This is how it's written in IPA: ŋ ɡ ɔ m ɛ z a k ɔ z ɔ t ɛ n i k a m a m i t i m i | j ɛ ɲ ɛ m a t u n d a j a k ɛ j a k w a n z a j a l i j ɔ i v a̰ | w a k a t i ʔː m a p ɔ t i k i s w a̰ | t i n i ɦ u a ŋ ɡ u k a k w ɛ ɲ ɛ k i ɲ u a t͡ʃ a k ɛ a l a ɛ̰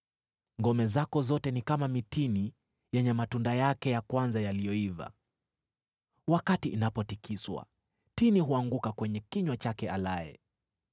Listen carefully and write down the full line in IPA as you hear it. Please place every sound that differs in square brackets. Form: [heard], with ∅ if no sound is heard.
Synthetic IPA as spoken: ŋ ɡ ɔ m ɛ z a k ɔ z ɔ t ɛ n i k a m a m i t i [n] i | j ɛ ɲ ɛ m a t u n d a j a k ɛ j a k w a n z a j a l i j ɔ i v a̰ | w a k a t i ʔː [n] a p ɔ t i k i s w a̰ | t i n i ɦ u a ŋ ɡ u k a k w ɛ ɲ ɛ k i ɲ [w] a t͡ʃ a k ɛ a l a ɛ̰